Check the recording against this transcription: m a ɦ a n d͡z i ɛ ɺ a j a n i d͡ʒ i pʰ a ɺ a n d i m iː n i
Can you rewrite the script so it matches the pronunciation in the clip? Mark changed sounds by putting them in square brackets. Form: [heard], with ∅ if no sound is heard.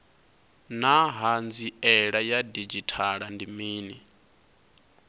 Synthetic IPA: [n] a ɦ a n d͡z i ɛ ɺ a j a [d] i d͡ʒ i [tʰ] a ɺ a n d i m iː n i

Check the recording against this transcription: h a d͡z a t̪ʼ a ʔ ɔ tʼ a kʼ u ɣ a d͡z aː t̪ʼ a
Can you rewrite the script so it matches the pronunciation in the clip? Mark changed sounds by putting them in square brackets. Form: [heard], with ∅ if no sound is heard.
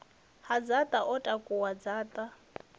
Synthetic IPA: h a d͡z a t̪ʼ a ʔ ɔ tʼ a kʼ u [w] a d͡z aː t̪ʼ a

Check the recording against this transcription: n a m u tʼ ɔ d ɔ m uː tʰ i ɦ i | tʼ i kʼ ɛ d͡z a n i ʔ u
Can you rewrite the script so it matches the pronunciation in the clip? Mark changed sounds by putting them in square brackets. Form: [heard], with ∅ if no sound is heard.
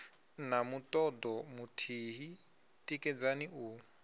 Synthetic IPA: n a m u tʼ ɔ d ɔ m [u] tʰ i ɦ i | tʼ i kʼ ɛ d͡z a n i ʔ u

